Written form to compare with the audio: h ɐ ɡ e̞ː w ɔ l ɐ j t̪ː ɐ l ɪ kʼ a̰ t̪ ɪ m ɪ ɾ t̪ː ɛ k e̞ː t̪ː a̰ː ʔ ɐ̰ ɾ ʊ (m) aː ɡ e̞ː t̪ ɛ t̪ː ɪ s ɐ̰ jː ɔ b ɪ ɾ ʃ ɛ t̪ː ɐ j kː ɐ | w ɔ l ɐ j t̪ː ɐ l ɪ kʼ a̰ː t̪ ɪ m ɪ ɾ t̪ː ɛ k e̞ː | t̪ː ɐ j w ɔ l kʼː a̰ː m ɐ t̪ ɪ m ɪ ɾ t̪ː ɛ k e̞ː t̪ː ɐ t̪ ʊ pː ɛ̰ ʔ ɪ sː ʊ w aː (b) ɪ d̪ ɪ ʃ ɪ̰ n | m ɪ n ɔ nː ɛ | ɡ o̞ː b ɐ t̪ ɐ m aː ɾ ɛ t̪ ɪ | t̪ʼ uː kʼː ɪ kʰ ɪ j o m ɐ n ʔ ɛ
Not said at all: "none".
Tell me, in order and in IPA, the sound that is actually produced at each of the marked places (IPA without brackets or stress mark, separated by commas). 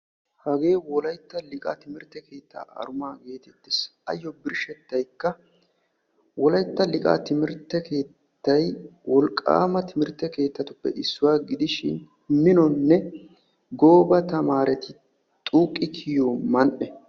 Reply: m, ɡ